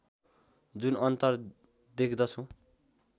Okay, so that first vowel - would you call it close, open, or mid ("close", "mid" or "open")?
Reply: close